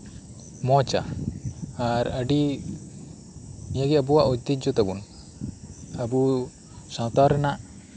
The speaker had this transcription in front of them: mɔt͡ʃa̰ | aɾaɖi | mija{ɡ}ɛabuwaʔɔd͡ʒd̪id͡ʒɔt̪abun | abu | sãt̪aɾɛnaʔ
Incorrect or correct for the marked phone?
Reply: correct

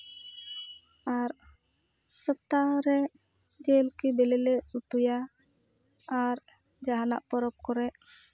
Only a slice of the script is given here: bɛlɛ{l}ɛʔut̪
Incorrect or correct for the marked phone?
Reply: correct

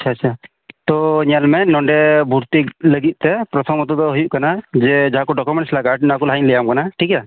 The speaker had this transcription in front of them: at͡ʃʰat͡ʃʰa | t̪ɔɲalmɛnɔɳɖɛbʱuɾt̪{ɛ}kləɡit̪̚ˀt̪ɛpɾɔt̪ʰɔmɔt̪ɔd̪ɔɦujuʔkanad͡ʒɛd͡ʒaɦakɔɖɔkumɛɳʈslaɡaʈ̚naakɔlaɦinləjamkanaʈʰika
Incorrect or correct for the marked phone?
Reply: incorrect: i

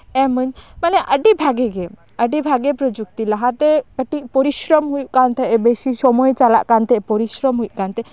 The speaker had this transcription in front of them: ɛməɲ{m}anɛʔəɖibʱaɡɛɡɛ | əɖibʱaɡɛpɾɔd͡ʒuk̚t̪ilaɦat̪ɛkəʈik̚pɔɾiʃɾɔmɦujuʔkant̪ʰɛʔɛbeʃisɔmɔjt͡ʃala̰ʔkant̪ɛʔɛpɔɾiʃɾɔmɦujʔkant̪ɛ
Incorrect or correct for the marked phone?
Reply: correct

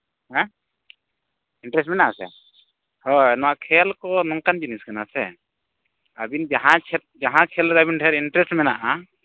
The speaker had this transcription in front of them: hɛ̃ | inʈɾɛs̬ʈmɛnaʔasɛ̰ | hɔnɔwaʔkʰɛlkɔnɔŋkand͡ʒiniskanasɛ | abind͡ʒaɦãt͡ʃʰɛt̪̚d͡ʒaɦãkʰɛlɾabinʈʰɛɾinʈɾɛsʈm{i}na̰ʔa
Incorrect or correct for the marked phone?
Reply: incorrect: ɛ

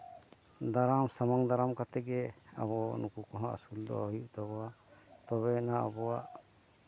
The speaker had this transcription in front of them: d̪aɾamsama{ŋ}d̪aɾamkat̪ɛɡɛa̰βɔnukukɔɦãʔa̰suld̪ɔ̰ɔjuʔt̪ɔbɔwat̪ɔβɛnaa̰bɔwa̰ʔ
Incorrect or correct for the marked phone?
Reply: correct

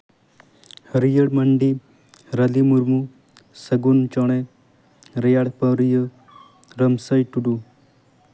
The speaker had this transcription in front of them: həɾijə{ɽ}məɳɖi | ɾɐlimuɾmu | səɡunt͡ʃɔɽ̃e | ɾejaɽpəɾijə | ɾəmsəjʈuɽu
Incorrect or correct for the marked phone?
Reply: correct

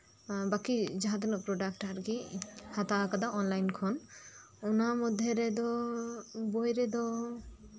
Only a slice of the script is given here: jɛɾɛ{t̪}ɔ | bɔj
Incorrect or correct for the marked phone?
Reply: incorrect: d̪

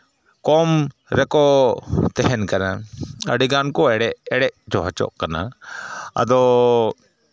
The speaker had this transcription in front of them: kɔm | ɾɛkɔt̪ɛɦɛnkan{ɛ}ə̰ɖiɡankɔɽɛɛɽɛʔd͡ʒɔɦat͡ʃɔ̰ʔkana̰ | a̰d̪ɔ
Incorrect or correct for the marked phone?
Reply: incorrect: a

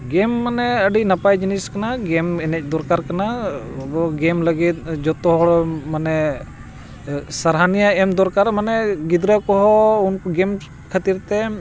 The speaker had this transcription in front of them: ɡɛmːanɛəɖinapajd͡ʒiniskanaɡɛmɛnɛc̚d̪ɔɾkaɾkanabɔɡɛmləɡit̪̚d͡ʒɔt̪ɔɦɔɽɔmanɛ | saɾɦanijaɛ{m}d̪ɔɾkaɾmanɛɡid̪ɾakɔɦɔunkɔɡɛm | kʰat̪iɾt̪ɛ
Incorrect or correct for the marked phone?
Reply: correct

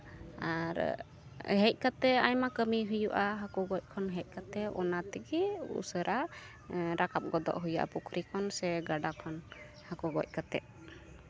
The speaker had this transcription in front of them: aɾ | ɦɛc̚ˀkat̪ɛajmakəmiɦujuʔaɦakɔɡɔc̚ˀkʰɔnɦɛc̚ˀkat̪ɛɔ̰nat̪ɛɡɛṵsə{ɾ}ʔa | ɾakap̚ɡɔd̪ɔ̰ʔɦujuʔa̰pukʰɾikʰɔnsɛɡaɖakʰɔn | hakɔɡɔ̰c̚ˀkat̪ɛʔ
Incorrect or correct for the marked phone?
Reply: correct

